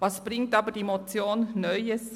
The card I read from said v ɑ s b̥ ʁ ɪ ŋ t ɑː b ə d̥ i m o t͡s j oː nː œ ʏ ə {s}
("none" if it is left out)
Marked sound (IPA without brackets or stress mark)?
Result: s